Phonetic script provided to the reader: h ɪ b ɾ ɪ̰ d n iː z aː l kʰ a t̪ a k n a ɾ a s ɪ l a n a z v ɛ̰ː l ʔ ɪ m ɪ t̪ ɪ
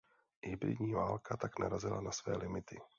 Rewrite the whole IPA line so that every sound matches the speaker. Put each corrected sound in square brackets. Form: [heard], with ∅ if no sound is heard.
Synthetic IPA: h ɪ b ɾ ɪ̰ d [ɲ] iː [v] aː l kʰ a t̪ a k n a ɾ a [z] ɪ l a n a [s] v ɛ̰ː l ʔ ɪ m ɪ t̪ ɪ